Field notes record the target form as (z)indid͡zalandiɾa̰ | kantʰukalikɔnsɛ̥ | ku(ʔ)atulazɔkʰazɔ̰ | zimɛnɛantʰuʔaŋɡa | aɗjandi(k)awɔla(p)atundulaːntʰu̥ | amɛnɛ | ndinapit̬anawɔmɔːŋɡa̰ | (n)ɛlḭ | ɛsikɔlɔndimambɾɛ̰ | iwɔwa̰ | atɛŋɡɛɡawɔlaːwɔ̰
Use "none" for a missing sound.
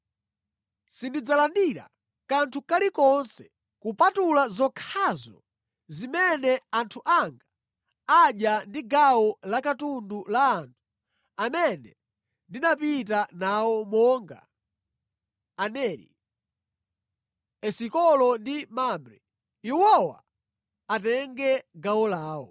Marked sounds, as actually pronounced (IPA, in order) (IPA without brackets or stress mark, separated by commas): s, p, ɡ, k, n